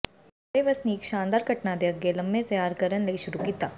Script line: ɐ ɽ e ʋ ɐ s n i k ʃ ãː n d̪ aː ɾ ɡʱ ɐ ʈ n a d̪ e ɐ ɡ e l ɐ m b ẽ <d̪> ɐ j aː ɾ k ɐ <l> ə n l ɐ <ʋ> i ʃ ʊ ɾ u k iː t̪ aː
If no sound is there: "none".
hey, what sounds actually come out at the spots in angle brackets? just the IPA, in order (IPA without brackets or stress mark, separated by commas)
t̪, ɾ, none